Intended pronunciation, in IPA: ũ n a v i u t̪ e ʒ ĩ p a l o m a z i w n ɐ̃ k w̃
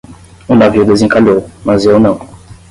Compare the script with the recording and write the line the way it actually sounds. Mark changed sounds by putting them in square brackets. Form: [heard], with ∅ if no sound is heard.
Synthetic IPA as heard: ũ n a v i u [d̪] e [z] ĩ [k] a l o m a z [e] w n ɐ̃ [∅] w̃